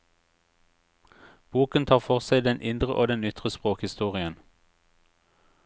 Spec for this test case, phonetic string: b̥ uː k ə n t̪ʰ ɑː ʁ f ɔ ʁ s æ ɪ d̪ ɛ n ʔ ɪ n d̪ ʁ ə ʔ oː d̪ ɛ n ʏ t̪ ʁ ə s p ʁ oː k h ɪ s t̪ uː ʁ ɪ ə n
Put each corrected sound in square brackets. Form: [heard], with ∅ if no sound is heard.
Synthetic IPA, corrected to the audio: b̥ uː k ə n t̪ʰ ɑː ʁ f ɔ ʁ s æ ɪ d̪ ɛ n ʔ ɪ n d̪ ʁ ə ʔ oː d̪ ɛ n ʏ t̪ ʁ ə s p ʁ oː k h ɪ s t̪ uː ʁ ɪ ə n

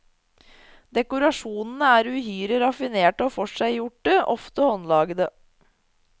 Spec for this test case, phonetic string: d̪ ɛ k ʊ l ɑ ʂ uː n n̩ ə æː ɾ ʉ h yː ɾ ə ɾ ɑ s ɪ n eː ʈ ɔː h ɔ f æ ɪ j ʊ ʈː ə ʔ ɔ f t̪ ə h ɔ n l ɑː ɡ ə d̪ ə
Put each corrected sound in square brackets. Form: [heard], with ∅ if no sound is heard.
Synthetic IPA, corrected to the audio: d̪ ɛ k ʊ [ɾ] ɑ ʂ uː n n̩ ə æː ɾ ʉ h yː ɾ ə ɾ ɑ [f] ɪ n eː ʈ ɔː [f] ɔ [ʂ] æ ɪ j ʊ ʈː ə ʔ ɔ f t̪ ə h ɔ n l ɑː ɡ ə d̪ ə

